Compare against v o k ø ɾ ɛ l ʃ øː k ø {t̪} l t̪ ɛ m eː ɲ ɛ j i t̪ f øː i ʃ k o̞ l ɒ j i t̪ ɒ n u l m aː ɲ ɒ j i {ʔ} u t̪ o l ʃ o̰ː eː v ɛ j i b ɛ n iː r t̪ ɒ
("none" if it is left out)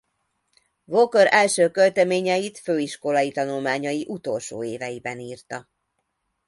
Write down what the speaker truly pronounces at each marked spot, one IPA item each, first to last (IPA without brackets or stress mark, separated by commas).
none, ʔ